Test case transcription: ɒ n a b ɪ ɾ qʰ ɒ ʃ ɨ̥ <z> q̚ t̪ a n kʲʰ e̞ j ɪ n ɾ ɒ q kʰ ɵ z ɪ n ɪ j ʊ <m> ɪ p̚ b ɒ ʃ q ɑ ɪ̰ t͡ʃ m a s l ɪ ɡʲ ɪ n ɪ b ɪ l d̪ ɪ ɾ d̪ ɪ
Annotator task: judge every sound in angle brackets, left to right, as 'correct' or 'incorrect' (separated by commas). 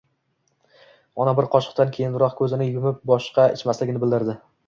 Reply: incorrect, correct